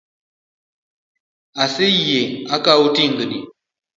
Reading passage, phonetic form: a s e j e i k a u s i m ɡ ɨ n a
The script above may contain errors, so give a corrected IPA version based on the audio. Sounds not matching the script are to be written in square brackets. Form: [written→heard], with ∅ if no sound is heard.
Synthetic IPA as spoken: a s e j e [i→a] k a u [s→t] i [m→ŋ] ɡ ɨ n [a→i]